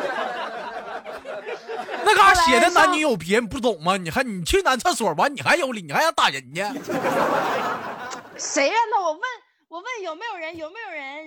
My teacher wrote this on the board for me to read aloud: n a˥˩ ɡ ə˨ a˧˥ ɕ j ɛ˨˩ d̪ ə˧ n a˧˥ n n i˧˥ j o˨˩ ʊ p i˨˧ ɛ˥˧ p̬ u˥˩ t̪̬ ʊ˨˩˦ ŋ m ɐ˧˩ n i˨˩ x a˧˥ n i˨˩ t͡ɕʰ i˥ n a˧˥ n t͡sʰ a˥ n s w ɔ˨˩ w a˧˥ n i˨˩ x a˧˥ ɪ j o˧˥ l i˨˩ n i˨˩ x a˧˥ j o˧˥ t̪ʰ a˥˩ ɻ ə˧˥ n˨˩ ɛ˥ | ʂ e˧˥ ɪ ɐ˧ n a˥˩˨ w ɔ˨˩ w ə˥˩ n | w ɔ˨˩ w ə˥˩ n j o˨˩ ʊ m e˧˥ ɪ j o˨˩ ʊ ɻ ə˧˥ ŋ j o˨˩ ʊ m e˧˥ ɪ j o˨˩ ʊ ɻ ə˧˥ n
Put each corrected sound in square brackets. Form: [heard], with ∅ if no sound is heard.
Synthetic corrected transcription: n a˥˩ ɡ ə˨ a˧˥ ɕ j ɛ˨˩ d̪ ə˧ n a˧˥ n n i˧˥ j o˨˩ ʊ p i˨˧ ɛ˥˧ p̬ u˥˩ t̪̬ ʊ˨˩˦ ŋ m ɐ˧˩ n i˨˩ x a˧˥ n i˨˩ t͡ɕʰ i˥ n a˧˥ n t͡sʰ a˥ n s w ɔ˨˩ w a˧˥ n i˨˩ x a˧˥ ɪ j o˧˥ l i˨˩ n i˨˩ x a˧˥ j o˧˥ [t̪] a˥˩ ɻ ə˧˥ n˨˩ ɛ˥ | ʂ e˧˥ ɪ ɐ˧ n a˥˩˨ w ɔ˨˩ w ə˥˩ n | w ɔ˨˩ w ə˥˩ n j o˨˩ ʊ m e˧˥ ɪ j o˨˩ ʊ ɻ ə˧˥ [n] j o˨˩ ʊ m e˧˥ ɪ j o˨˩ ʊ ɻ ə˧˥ n